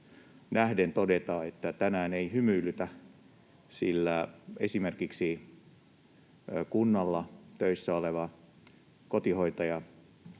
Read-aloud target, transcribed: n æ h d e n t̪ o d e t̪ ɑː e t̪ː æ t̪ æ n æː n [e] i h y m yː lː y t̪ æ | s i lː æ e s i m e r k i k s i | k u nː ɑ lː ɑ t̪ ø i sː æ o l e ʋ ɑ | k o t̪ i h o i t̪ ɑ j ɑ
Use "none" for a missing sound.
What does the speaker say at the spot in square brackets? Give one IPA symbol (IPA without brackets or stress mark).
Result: e